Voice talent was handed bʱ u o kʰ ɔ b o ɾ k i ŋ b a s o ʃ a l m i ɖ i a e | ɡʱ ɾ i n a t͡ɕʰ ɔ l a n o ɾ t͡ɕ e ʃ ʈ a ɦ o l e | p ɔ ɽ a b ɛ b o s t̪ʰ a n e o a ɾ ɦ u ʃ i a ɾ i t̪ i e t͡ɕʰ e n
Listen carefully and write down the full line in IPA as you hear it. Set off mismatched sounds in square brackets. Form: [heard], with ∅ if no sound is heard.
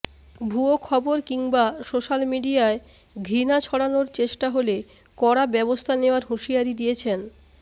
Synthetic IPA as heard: bʱ u o kʰ ɔ b o ɾ k i ŋ b a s o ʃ a l m i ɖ i a e | ɡʱ ɾ i n a t͡ɕʰ ɔ [ɽ] a n o ɾ t͡ɕ e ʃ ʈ a ɦ o l e | [k] ɔ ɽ a b ɛ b o s t̪ʰ a n e o a ɾ ɦ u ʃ i a ɾ i [d̪] i e t͡ɕʰ e n